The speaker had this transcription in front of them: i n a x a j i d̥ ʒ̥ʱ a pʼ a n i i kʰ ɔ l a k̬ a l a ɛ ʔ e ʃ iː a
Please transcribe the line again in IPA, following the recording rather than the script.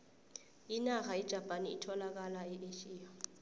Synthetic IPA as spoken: i n a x a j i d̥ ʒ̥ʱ a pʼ a n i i tʰ ɔ l a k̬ a l a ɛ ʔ e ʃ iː a

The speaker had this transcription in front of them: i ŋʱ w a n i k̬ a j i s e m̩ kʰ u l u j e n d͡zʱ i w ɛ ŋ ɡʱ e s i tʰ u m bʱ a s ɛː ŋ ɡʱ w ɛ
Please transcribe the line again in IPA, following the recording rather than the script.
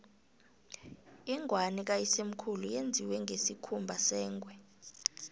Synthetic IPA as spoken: i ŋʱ w a n i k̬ a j i s e m̩ kʰ u l u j e n d͡zʱ i w ɛ ŋ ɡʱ e s i kʰ u m bʱ a s ɛː ŋ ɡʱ w ɛ

